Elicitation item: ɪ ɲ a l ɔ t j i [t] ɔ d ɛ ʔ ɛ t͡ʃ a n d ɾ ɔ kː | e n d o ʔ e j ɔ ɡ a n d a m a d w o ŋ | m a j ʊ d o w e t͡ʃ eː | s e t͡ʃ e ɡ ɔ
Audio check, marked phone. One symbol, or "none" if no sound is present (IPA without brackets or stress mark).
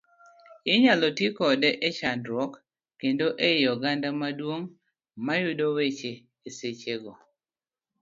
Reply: k